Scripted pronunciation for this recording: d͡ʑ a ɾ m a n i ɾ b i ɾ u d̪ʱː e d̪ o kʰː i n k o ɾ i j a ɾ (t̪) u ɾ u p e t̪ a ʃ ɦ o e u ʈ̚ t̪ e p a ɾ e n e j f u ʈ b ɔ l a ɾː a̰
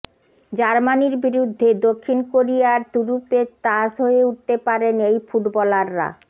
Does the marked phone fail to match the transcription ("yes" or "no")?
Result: no